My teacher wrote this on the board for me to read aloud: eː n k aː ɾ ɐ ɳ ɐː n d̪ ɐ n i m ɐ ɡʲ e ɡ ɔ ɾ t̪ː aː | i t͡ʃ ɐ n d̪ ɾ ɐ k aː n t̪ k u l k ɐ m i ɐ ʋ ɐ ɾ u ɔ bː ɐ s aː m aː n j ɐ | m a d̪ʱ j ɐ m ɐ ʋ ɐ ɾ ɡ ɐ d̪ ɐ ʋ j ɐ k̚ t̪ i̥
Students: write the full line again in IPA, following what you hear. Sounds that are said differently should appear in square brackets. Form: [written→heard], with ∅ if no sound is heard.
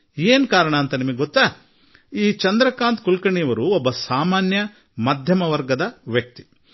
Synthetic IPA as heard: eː n k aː ɾ ɐ ɳ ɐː n [d̪→t̪] ɐ n i m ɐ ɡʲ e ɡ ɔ [ɾ→∅] t̪ː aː | [i→iː] t͡ʃ ɐ n d̪ ɾ ɐ k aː n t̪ k u l k ɐ [m→ɳ] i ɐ ʋ ɐ ɾ u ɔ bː ɐ s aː m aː n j ɐ | m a d̪ʱ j ɐ m ɐ ʋ ɐ ɾ ɡ ɐ d̪ ɐ ʋ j ɐ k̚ t̪ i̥

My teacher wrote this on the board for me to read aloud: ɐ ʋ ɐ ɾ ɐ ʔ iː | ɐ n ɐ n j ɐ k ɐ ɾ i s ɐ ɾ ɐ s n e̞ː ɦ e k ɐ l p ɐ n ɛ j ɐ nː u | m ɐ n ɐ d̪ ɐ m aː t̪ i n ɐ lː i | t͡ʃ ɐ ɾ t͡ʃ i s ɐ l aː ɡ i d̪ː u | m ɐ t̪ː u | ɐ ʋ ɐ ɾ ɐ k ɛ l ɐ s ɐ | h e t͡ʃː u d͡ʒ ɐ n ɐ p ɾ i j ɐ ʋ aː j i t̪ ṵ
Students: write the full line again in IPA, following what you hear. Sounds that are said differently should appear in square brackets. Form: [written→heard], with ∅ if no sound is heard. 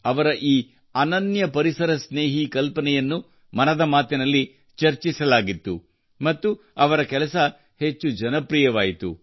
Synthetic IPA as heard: ɐ ʋ ɐ ɾ ɐ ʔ iː | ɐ n ɐ n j ɐ [k→p] ɐ ɾ i s ɐ ɾ ɐ s n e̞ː ɦ [e→i] k ɐ l p ɐ n ɛ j ɐ nː u | m ɐ n ɐ d̪ ɐ m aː t̪ i n ɐ lː i | t͡ʃ ɐ ɾ t͡ʃ i s ɐ l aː ɡ i [d̪ː→t̪ː] u | m ɐ t̪ː u | ɐ ʋ ɐ ɾ ɐ k ɛ l ɐ s ɐ | h e t͡ʃː u d͡ʒ ɐ n ɐ p ɾ i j ɐ ʋ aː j i t̪ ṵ

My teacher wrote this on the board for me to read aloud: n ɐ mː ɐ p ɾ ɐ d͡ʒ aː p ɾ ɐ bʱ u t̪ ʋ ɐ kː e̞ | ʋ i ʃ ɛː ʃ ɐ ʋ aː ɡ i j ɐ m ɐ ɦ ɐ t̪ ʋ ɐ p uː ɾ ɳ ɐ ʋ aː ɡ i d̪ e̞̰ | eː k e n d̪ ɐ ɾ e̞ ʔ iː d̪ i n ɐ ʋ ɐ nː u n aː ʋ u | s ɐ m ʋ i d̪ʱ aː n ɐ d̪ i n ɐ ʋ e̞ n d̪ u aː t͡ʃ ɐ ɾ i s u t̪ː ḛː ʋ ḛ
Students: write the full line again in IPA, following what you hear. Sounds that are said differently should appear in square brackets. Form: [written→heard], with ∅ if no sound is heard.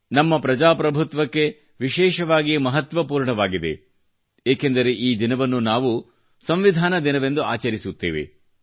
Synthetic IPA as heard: n ɐ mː ɐ p ɾ ɐ d͡ʒ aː p ɾ ɐ bʱ u t̪ ʋ ɐ kː e̞ | ʋ i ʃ ɛː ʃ ɐ ʋ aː ɡ i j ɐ m ɐ ɦ ɐ t̪ ʋ ɐ p uː ɾ ɳ ɐ ʋ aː ɡ i d̪ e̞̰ | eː k e n d̪ ɐ ɾ e̞ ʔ iː d̪ i n ɐ ʋ ɐ nː u n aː ʋ u | s ɐ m ʋ i d̪ʱ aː n ɐ d̪ i n ɐ ʋ e̞ n d̪ u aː t͡ʃ ɐ ɾ i s u t̪ː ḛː ʋ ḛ

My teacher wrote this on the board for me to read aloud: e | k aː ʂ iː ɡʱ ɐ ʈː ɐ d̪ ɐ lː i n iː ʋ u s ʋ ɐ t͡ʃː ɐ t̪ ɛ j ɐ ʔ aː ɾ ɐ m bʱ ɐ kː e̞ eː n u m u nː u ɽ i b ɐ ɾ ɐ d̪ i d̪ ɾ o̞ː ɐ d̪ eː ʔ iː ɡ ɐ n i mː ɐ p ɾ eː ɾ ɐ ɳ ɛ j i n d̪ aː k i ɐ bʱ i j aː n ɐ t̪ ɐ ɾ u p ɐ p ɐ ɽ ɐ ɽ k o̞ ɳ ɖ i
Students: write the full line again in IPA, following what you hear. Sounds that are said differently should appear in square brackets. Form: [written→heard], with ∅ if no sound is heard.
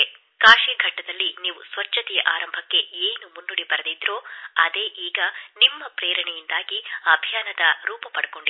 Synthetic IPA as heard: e | k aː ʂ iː ɡʱ ɐ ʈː ɐ d̪ ɐ lː i n iː ʋ u s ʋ ɐ t͡ʃː ɐ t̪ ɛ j ɐ ʔ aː ɾ ɐ m bʱ ɐ kː e̞ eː n u m u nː u ɽ i b ɐ ɾ ɐ d̪ i d̪ ɾ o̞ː ɐ d̪ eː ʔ iː ɡ ɐ n i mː ɐ p ɾ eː ɾ ɐ ɳ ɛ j i n d̪ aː [k→ɡ] i ɐ bʱ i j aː n ɐ [t̪→d̪] ɐ ɾ [u→uː] p ɐ p ɐ ɽ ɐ [ɽ→∅] k o̞ ɳ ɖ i

